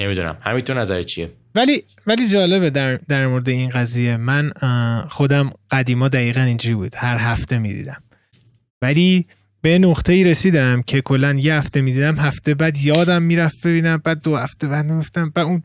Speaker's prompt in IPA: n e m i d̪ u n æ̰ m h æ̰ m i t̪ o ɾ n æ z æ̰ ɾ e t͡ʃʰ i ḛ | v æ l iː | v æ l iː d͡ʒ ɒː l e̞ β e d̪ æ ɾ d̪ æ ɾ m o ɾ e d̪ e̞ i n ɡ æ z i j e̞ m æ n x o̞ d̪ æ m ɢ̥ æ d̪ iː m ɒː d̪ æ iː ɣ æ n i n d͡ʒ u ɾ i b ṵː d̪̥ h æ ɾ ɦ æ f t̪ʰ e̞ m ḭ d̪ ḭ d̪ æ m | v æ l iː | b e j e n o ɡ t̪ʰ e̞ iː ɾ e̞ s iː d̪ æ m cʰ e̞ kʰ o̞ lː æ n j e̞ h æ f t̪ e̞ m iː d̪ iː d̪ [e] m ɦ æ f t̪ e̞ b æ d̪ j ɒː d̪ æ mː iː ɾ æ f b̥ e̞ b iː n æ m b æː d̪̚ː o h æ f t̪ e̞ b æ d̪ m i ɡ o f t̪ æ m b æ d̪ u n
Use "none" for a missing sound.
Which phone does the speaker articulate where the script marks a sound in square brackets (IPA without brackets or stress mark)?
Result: æ